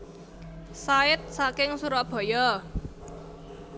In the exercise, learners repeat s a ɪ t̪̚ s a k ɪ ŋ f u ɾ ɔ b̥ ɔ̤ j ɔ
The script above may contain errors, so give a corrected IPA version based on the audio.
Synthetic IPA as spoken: s a ɪ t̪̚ s a k ɪ ŋ s u ɾ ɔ b̥ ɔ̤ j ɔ